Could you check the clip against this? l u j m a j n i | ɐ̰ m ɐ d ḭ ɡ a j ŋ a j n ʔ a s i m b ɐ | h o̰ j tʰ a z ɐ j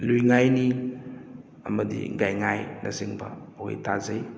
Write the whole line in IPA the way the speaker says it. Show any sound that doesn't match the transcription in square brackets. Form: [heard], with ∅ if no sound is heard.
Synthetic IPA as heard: l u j [ŋ] a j n i | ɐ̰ m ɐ d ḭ ɡ a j ŋ a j n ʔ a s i [ŋ] b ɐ | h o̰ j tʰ a z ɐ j